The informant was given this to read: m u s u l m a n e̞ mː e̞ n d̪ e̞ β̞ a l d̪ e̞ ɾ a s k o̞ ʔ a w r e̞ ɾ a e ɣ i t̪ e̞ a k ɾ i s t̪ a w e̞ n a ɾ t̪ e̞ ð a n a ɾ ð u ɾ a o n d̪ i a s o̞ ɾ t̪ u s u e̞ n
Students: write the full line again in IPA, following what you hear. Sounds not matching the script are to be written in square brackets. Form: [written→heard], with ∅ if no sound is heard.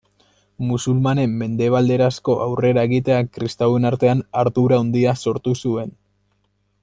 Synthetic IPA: m u s u l m a n e̞ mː e̞ n d̪ e̞ β̞ a l d̪ e̞ ɾ a s k o̞ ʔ a w r e̞ ɾ a e ɣ i t̪ e̞ a k ɾ i s t̪ a w e̞ n a ɾ t̪ e̞ [ð→∅] a n a ɾ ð u ɾ a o n d̪ i a s o̞ ɾ t̪ u s u e̞ n